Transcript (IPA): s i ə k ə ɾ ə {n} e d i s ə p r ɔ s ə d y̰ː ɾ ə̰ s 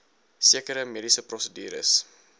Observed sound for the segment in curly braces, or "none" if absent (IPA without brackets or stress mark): m